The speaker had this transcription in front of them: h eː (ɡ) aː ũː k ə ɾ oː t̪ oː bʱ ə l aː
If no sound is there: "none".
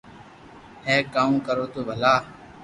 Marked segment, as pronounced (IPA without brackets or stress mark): k